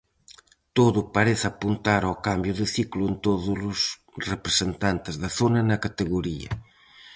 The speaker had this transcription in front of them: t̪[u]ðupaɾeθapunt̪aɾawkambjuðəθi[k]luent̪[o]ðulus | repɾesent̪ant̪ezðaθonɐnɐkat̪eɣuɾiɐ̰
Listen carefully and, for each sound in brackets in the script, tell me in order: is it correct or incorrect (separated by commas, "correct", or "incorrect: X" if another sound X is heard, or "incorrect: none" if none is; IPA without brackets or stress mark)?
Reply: incorrect: o, correct, correct